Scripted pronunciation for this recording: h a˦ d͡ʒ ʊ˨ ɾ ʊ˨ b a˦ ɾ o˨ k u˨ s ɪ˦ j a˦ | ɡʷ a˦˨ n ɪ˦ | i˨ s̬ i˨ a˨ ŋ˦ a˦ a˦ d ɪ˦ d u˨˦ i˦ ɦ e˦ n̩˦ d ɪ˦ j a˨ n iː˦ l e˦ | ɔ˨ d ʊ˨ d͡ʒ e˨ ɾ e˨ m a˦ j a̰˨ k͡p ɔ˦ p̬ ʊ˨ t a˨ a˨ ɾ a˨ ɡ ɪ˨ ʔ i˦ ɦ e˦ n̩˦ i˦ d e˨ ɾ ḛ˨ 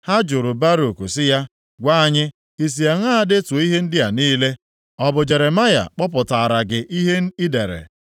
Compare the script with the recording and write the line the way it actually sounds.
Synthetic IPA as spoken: h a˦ d͡ʒ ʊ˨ ɾ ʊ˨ b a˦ ɾ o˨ k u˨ s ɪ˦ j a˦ | ɡʷ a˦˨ ɲ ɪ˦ | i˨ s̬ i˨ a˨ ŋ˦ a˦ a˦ d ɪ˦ t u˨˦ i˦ ɦ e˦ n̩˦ d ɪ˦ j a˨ n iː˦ l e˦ | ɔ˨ b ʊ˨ d͡ʒ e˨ ɾ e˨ m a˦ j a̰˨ k͡p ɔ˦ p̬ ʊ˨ t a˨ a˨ ɾ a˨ ɡ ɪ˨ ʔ i˦ ɦ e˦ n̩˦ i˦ d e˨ ɾ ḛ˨